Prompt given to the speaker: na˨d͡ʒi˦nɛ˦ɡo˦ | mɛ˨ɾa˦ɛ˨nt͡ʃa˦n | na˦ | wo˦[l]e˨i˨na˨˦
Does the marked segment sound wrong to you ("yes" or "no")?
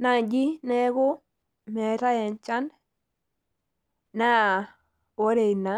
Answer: yes